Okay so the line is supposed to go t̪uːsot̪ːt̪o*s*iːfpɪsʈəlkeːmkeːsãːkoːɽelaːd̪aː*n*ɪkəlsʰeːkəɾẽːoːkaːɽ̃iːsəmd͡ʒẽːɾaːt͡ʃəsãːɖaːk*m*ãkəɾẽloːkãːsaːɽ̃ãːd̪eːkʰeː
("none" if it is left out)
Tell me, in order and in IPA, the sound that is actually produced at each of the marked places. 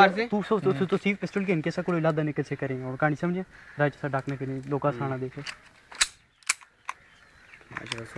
s, n, n

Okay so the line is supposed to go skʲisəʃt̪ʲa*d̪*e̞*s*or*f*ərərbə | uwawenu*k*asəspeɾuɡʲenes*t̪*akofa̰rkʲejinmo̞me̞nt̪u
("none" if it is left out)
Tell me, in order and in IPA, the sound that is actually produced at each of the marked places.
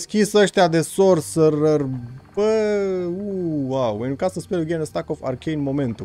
d̪, s, s, k, t̪

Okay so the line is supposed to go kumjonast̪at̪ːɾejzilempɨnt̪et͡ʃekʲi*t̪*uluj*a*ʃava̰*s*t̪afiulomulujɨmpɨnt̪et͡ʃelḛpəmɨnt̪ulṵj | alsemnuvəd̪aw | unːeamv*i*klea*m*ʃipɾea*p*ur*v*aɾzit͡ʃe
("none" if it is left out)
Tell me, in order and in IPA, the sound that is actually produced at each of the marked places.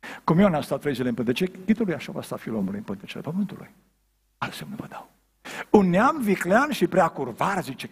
t̪, a, s, i, n, k, v

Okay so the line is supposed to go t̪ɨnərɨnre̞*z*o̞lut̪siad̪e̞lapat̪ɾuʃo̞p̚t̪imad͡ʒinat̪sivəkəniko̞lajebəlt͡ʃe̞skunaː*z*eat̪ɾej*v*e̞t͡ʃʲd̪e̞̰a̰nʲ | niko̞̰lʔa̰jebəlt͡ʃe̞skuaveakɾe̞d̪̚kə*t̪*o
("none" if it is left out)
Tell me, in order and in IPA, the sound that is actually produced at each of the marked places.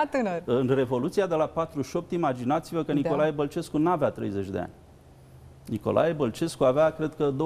v, v, z, d̪

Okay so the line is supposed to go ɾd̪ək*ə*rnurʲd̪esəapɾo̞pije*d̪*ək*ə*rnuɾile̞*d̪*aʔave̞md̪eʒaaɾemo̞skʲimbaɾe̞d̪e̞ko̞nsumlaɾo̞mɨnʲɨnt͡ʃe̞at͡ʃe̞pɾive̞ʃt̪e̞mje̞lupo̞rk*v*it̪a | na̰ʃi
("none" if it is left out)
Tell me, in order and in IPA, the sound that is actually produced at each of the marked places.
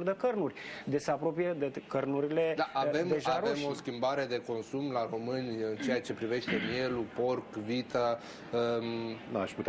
ə, d̪, ə, d̪, v

